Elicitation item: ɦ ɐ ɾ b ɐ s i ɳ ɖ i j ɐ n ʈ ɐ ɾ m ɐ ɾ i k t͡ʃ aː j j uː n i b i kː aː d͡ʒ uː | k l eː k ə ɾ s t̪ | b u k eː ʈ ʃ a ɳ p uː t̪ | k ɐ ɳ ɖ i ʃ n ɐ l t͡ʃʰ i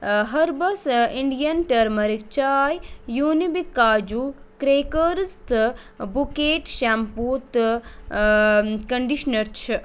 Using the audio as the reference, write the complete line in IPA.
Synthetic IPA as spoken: ɦ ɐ ɾ b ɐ s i ɳ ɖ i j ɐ n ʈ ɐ ɾ m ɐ ɾ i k t͡ʃ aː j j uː n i b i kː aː d͡ʒ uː | k ɾ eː k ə ɾ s t̪ | b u k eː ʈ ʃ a m p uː t̪ | k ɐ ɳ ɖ i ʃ n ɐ ɾ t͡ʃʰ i